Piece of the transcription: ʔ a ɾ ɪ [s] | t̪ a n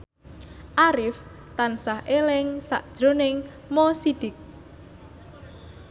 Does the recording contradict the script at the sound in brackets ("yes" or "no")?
yes